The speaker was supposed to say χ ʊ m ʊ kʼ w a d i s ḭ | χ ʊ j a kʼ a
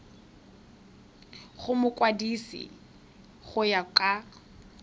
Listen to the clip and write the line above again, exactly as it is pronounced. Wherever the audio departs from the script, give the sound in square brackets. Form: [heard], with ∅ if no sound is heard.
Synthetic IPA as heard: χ ʊ m ʊ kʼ w a d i s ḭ | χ ʊ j a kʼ a